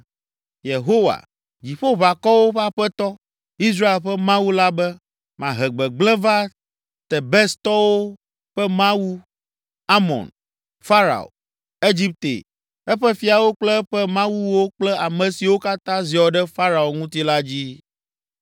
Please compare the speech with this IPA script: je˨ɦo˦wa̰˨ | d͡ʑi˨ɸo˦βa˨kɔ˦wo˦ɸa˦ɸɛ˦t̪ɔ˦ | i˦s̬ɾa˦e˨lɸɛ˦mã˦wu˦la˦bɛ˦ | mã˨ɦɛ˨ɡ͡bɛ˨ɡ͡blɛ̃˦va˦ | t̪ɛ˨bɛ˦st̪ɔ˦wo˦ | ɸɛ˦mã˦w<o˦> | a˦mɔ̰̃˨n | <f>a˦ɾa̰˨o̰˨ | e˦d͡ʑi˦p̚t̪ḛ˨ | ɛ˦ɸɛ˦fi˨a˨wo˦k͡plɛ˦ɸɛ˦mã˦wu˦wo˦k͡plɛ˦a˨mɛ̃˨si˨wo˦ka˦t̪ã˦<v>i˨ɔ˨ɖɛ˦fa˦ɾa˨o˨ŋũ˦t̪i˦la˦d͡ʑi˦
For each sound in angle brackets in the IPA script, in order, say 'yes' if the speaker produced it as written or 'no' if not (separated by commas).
no, yes, no